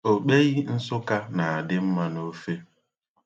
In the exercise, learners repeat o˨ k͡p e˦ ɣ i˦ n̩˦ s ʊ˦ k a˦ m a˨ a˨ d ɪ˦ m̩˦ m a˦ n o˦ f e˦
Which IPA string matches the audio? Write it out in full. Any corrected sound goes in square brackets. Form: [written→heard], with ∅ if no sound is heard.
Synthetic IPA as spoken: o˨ k͡p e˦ ɣ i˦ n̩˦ s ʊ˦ k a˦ [m→n] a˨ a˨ d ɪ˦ m̩˦ m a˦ n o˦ f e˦

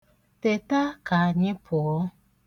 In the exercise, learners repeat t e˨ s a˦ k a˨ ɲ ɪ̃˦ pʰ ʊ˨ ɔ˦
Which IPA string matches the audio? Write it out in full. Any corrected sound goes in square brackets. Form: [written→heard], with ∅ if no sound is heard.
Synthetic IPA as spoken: t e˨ [s→t] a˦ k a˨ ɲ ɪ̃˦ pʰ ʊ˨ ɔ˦

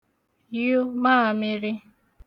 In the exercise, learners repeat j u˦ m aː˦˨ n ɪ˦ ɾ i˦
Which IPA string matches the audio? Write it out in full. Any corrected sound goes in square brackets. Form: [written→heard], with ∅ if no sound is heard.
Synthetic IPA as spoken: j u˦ m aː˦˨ [n→m] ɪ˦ ɾ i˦

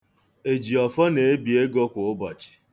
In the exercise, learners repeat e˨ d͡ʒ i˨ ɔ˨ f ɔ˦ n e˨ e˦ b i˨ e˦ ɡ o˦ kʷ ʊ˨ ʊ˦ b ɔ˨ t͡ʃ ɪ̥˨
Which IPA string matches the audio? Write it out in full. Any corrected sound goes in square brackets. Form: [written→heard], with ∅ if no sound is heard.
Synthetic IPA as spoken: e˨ d͡ʒ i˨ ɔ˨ f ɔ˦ n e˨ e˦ b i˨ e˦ ɡ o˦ kʷ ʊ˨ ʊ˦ b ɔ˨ t͡ʃ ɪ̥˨

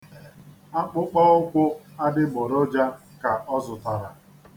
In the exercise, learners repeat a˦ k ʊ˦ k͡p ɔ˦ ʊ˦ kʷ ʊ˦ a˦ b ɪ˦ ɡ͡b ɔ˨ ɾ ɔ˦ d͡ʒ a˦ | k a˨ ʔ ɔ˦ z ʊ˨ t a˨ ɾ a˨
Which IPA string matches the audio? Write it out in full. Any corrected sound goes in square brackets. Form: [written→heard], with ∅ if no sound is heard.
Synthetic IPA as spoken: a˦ [k→k͡p] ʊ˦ k͡p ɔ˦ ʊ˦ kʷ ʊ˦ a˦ [b→d] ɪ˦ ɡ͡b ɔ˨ ɾ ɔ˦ d͡ʒ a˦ | k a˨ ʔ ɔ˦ z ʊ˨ t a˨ ɾ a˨

